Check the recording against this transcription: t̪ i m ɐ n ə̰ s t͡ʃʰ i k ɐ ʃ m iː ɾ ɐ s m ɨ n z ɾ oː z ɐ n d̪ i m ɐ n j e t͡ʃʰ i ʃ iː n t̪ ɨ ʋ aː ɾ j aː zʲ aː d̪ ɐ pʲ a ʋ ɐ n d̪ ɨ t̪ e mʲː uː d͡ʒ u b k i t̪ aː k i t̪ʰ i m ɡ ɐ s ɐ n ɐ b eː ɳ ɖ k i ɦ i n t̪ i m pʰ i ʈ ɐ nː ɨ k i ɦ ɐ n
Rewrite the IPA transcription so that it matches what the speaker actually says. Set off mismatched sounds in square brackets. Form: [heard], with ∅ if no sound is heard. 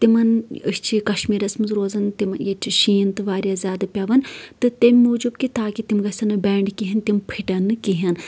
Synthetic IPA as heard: t̪ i m ɐ n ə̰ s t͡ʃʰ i k ɐ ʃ m iː ɾ ɐ s m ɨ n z ɾ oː z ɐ n [t̪] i m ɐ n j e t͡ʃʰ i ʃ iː n t̪ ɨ ʋ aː ɾ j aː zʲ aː d̪ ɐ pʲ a ʋ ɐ n [t̪] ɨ t̪ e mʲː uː d͡ʒ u b k i t̪ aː k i [t̪] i m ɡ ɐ s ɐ n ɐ b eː ɳ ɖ k i ɦ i n t̪ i m pʰ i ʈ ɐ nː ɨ k i ɦ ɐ n